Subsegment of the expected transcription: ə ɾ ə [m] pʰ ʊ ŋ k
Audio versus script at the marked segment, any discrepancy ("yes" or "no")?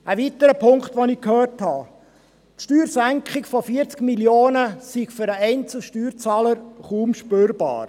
yes